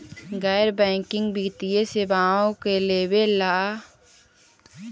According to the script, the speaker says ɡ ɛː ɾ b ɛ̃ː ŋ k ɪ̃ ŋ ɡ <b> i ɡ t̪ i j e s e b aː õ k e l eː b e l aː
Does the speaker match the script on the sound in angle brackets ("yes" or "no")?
yes